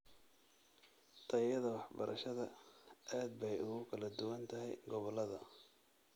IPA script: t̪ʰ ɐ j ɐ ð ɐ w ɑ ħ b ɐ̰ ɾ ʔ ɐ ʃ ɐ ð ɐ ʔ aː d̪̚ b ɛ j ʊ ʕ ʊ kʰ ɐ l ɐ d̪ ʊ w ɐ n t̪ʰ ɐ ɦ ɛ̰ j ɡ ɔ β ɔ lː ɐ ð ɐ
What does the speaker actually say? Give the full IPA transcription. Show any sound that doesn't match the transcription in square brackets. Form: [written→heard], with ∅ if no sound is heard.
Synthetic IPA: t̪ʰ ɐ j ɐ ð ɐ w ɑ ħ b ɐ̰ ɾ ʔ ɐ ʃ ɐ ð ɐ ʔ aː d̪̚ b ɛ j ʊ [ʕ→ɣ] ʊ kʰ ɐ l ɐ d̪ ʊ w ɐ n t̪ʰ ɐ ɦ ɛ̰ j ɡ ɔ β ɔ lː ɐ ð ɐ